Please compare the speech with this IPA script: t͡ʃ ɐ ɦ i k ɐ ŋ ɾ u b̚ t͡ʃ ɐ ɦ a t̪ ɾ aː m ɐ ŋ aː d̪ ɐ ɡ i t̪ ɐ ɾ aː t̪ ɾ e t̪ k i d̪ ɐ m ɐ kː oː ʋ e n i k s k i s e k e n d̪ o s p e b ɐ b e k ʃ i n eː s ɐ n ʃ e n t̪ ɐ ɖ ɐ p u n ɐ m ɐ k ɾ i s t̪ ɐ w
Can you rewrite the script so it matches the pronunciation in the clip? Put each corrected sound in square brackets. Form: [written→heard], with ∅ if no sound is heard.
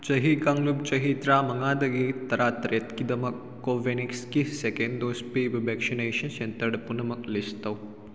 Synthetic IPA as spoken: t͡ʃ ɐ ɦ i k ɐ ŋ [ɾ→l] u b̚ t͡ʃ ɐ ɦ [a→i] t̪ ɾ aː m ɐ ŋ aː d̪ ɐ ɡ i t̪ ɐ ɾ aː t̪ ɾ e t̪ k i d̪ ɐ m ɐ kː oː ʋ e n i k s k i s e k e n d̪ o s p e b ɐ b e k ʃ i n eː [s→ʃ] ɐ n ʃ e n t̪ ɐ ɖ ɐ p u n ɐ m ɐ k [ɾ→l] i s t̪ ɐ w